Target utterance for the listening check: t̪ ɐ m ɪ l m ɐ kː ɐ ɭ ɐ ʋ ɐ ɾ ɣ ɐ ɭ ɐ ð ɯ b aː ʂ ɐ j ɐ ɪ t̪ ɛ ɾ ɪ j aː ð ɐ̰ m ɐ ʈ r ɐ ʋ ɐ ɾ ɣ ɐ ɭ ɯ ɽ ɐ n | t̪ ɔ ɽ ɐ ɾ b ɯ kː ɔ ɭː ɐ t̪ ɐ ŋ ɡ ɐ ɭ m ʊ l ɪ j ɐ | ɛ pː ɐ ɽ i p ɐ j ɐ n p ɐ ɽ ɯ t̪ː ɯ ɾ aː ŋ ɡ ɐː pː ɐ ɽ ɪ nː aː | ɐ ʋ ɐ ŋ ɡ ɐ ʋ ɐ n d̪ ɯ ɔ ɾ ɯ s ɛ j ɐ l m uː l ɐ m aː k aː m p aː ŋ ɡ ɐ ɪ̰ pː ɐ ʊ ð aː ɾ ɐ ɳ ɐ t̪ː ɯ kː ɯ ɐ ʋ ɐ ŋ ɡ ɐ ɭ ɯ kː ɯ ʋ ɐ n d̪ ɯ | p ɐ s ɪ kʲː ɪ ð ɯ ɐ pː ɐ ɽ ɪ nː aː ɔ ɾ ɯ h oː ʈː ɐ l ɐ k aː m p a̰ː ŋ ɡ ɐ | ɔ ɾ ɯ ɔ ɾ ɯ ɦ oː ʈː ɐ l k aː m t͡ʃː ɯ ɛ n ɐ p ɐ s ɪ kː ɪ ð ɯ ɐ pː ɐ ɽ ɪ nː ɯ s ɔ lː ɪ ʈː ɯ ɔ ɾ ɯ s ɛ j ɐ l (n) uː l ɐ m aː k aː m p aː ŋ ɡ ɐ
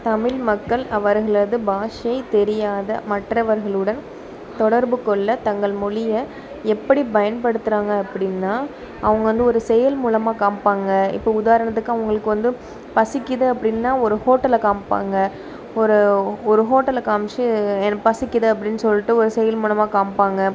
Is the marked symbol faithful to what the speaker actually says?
no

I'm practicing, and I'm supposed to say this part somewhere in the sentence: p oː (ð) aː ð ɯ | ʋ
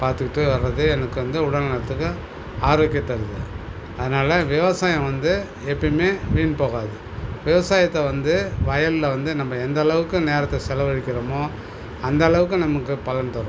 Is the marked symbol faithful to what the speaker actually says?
no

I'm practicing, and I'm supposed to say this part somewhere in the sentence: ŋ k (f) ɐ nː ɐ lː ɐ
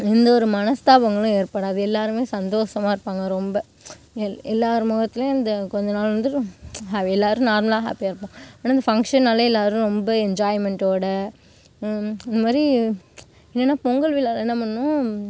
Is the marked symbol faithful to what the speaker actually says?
no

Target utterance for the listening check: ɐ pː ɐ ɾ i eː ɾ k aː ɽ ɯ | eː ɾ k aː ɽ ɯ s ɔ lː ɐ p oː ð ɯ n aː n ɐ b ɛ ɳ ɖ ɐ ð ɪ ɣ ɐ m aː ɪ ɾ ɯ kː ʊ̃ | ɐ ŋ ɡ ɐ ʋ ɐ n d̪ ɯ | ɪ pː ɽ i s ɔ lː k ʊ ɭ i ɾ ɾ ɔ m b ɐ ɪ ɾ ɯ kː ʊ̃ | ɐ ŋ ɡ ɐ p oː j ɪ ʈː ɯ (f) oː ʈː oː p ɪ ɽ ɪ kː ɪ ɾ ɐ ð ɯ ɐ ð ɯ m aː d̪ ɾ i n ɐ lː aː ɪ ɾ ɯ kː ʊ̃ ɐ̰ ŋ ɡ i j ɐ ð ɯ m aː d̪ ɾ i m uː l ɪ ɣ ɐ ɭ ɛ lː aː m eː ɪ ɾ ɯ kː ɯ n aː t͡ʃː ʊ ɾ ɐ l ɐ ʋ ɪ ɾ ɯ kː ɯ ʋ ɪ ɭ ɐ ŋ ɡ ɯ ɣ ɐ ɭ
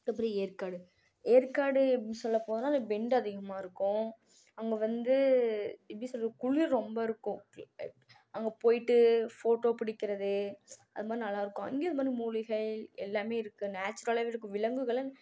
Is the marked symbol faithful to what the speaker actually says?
yes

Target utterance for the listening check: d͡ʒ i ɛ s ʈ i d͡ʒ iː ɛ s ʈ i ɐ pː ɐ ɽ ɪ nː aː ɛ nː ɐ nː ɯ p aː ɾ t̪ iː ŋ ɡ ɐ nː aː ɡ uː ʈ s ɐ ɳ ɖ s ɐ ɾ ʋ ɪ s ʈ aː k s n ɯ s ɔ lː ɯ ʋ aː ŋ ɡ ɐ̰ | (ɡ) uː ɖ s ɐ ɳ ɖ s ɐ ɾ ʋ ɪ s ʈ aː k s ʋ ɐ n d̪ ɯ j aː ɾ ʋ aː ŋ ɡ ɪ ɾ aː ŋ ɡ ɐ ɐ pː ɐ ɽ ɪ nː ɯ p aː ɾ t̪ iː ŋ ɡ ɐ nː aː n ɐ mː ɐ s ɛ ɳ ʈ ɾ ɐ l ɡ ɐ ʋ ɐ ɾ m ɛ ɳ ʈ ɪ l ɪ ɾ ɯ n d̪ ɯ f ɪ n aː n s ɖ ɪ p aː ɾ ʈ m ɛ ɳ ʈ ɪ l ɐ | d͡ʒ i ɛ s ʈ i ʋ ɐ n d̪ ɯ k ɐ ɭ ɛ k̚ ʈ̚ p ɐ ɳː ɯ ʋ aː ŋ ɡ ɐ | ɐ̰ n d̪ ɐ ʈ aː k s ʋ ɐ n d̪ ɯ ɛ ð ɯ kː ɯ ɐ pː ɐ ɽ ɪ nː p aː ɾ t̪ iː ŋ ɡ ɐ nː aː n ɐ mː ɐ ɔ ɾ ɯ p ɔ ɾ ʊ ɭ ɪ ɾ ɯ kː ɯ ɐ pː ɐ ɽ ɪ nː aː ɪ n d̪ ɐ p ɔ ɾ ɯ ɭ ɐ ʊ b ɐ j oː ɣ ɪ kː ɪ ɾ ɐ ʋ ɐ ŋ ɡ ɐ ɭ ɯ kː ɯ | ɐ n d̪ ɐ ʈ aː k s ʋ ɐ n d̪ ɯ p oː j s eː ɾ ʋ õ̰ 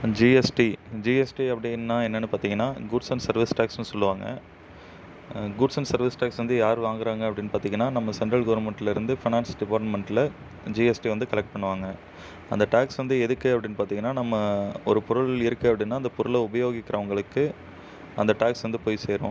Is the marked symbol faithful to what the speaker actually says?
yes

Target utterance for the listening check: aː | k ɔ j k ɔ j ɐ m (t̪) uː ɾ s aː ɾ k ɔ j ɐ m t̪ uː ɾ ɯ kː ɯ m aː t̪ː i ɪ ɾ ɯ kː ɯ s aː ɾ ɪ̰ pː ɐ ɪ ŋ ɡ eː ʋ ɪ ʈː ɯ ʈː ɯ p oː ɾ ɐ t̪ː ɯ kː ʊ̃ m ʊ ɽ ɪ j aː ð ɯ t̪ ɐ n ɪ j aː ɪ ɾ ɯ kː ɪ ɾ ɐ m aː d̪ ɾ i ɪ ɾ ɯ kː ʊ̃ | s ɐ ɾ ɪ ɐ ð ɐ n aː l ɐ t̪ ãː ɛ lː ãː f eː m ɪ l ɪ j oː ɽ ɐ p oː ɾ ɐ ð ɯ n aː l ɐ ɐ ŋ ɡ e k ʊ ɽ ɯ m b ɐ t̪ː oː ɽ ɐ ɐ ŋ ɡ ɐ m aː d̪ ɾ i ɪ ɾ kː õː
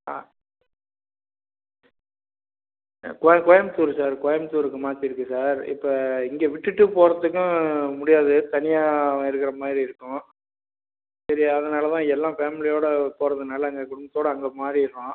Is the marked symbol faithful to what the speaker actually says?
yes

